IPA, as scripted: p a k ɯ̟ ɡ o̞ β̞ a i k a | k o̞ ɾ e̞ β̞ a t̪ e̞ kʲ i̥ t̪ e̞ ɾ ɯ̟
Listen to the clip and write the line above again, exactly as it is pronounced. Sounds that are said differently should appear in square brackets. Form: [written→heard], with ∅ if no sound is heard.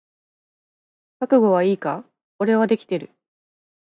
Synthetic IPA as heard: [p→k] a k ɯ̟ ɡ o̞ β̞ a [i→iː] k a | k o̞ ɾ e̞ β̞ a [t̪→d̪] e̞ kʲ i̥ t̪ e̞ ɾ ɯ̟